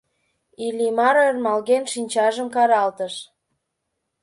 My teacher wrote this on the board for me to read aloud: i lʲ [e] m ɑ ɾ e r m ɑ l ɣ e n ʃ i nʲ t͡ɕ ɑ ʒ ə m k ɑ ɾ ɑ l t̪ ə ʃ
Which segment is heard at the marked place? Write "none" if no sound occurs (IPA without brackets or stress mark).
i